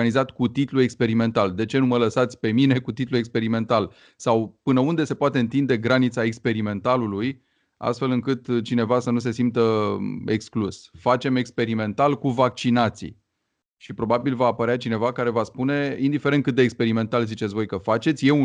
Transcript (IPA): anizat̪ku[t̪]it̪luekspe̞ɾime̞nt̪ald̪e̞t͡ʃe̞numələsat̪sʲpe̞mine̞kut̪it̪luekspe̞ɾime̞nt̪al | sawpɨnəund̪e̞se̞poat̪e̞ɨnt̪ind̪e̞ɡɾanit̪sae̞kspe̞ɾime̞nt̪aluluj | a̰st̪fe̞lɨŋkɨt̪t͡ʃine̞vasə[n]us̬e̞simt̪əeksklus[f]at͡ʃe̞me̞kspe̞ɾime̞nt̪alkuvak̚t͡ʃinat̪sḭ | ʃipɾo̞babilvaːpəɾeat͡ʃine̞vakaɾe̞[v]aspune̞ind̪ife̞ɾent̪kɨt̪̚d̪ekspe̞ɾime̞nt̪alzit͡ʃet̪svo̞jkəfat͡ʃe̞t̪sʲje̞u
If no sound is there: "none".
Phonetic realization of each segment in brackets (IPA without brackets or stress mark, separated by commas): t̪, n, f, v